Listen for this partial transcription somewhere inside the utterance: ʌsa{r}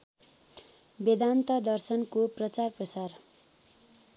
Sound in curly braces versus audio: correct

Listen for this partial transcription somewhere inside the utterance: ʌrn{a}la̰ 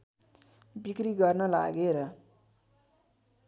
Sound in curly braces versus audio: incorrect: ʌ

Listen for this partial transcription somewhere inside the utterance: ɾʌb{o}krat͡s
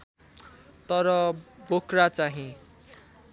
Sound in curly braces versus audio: correct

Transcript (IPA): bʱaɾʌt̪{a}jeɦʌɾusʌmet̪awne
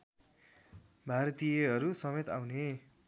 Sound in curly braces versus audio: incorrect: i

